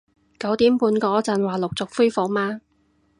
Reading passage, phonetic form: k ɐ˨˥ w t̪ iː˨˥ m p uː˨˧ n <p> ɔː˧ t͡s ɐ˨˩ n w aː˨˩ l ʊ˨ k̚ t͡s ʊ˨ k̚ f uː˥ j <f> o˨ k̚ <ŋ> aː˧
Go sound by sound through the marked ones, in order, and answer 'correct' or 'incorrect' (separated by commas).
incorrect, correct, incorrect